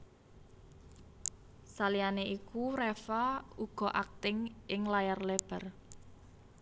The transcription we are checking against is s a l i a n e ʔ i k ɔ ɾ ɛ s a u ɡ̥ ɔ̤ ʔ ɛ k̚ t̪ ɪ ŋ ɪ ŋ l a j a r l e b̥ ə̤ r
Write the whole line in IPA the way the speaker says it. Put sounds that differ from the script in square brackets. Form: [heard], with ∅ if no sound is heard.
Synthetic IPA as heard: s a l i a n e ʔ i k [u] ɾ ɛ [f] a u ɡ̥ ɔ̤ ʔ [a] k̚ t̪ ɪ ŋ ɪ ŋ l a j a r l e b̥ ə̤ r